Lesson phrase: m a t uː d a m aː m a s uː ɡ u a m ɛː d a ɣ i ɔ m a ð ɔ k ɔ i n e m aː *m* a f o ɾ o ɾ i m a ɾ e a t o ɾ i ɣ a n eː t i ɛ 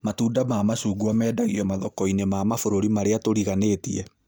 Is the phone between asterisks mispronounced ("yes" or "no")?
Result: no